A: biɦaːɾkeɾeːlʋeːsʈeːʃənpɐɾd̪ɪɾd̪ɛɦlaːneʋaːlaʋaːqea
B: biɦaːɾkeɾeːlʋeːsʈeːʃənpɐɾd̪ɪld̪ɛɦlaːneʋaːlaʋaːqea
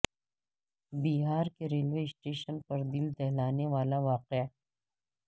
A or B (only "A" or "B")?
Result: B